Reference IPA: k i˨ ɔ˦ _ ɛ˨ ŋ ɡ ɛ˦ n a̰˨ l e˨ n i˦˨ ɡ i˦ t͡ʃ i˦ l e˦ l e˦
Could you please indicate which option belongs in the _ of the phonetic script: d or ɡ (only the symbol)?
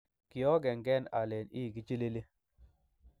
ɡ